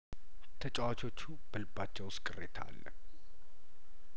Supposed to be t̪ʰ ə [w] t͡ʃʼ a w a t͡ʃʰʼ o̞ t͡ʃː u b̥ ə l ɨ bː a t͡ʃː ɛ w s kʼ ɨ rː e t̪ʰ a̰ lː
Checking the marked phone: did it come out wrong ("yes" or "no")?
yes